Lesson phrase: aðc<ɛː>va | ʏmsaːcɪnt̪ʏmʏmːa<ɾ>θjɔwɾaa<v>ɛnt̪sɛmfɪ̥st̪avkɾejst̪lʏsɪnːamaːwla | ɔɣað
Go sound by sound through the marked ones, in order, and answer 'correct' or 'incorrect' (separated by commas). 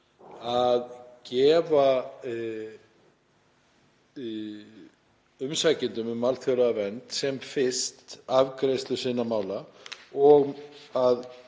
correct, incorrect, correct